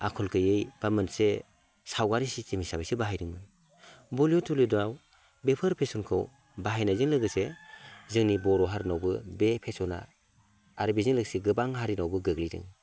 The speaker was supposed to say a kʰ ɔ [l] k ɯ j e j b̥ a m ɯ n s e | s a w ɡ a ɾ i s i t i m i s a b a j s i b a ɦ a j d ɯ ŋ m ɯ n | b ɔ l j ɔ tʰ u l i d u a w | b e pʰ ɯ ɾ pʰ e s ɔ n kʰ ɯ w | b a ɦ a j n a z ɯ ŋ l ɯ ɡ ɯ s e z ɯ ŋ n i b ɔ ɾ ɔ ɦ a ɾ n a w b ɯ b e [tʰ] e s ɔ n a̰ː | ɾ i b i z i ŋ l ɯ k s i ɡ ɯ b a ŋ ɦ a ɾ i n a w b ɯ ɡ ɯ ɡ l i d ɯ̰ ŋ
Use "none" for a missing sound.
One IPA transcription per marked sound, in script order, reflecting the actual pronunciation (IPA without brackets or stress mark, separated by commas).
l, pʰ